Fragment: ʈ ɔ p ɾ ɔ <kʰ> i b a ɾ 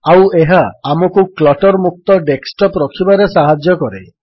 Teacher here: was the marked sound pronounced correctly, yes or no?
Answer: yes